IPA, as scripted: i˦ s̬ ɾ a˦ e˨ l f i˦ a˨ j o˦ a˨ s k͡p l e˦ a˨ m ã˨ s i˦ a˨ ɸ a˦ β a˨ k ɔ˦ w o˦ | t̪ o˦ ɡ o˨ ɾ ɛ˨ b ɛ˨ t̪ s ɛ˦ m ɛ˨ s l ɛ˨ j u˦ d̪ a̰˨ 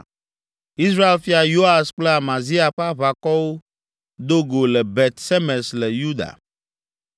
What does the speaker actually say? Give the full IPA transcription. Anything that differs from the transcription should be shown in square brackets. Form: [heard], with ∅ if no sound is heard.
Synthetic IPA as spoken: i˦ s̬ ɾ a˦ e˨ l f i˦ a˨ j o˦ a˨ s k͡p l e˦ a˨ m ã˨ [z] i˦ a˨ ɸ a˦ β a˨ k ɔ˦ w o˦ | [d̪] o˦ ɡ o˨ [l] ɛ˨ b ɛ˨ t̪ s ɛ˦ m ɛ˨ s l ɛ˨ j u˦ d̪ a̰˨